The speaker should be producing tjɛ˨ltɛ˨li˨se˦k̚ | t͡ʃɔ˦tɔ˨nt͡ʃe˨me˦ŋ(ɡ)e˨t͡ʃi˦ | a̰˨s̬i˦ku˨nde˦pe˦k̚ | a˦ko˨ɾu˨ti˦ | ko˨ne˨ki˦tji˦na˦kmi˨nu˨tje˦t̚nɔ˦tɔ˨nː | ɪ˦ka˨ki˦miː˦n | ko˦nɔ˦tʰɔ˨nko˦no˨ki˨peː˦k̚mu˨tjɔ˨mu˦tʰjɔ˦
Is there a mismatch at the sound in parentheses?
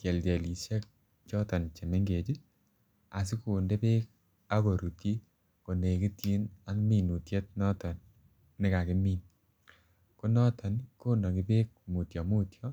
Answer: no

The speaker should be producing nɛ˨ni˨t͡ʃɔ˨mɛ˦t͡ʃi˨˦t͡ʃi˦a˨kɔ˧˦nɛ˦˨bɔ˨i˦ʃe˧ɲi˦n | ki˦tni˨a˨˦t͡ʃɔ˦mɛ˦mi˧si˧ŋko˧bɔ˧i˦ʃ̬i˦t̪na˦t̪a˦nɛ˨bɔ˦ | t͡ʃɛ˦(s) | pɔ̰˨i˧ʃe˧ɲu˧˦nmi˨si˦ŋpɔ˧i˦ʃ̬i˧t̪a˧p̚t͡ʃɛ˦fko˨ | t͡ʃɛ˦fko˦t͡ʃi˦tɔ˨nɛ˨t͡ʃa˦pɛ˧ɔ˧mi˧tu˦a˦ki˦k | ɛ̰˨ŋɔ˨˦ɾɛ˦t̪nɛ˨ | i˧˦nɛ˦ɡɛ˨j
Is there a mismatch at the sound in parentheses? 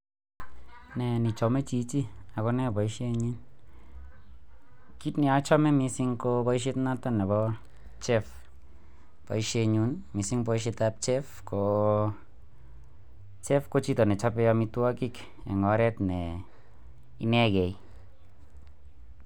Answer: yes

